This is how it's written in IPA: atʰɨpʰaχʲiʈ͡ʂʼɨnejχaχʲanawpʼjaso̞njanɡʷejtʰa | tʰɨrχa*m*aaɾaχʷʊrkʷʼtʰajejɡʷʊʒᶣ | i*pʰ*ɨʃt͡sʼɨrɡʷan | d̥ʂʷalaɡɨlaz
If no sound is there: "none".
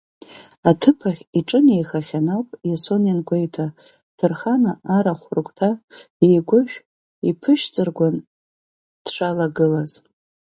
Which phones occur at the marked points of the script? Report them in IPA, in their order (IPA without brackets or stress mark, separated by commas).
n, pʰ